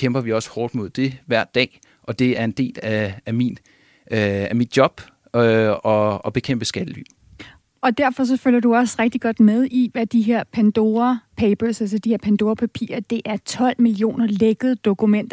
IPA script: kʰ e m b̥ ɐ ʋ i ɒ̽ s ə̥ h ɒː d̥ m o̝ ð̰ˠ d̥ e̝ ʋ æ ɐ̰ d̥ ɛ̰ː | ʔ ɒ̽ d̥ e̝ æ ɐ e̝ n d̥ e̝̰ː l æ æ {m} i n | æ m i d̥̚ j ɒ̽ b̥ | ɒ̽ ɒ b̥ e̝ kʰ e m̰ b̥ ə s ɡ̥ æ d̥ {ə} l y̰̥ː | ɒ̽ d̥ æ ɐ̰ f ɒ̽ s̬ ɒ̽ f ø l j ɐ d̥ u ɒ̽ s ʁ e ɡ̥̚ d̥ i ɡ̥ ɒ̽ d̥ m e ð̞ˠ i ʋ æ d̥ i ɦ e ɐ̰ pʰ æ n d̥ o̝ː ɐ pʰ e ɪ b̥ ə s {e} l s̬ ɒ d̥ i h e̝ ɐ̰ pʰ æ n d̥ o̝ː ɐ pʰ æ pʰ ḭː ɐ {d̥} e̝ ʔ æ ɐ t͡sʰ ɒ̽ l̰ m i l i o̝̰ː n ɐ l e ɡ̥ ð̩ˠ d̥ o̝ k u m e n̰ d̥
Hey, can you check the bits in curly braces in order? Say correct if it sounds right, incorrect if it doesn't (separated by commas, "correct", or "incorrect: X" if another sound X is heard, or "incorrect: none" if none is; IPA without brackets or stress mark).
correct, correct, incorrect: æ, correct